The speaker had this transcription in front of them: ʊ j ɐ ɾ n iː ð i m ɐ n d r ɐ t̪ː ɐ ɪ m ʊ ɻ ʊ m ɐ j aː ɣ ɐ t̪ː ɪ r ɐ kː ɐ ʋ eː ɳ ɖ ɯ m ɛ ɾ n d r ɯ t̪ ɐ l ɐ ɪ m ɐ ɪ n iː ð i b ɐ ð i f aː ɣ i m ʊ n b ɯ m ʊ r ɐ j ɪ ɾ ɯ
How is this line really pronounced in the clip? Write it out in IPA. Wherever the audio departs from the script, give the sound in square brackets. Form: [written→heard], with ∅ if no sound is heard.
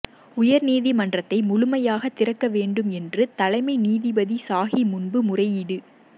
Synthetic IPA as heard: ʊ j ɐ ɾ n iː ð i m ɐ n d r ɐ t̪ː ɐ ɪ m ʊ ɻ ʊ m ɐ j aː ɣ ɐ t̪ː ɪ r ɐ kː ɐ ʋ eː ɳ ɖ ɯ m ɛ [ɾ→∅] n d r ɯ t̪ ɐ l ɐ ɪ m ɐ ɪ n iː ð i b ɐ ð i [f→s] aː ɣ i m ʊ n b ɯ m ʊ r ɐ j ɪ [ɾ→ɽ] ɯ

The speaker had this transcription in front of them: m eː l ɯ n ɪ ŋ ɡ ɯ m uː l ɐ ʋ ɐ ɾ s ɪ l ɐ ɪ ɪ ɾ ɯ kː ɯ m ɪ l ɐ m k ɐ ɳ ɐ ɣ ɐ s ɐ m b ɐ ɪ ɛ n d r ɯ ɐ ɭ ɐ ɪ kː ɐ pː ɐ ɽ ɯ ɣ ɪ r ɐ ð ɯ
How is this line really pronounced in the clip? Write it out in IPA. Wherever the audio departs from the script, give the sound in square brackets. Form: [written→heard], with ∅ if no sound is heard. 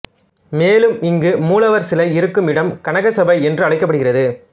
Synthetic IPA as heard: m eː l ɯ [n→m] ɪ ŋ ɡ ɯ m uː l ɐ ʋ ɐ ɾ s ɪ l ɐ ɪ ɪ ɾ ɯ kː ɯ m ɪ [l→ɽ] ɐ m k ɐ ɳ ɐ ɣ ɐ s ɐ [m→∅] b ɐ ɪ ɛ n d r ɯ ɐ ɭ ɐ ɪ kː ɐ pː ɐ ɽ ɯ ɣ ɪ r ɐ ð ɯ

